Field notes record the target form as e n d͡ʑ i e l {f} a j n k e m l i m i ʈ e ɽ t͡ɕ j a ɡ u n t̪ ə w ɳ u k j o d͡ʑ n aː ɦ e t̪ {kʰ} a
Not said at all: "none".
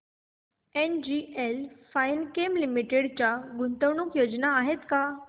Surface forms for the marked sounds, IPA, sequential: f, k

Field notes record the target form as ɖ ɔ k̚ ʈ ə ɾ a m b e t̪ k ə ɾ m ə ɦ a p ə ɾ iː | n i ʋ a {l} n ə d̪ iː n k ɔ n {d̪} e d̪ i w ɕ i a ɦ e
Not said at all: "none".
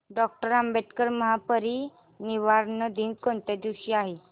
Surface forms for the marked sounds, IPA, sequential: ɾ, t̪

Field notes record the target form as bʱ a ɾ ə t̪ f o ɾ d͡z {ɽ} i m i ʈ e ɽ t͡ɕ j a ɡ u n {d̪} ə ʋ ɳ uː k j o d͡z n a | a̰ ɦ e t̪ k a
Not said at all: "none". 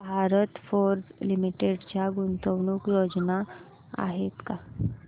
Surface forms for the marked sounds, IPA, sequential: l, t̪

